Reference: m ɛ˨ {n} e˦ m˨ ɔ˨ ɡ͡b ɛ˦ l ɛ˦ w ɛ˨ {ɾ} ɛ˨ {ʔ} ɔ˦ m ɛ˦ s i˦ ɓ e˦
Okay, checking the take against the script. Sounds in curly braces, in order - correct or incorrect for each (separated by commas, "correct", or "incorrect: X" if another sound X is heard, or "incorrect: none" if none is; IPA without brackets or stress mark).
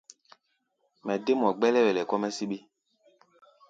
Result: incorrect: d, incorrect: l, incorrect: k